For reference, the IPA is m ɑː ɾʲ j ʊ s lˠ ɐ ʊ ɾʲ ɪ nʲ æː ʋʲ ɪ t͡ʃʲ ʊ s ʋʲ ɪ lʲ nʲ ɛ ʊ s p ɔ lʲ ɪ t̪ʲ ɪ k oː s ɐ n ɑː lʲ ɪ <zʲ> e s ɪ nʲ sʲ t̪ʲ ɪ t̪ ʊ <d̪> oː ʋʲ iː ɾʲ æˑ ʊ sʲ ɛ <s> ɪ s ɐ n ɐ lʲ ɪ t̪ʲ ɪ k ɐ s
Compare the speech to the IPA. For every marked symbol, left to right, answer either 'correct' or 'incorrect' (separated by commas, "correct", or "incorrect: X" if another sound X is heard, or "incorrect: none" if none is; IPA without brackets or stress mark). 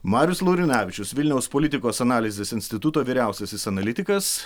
correct, incorrect: t̪, correct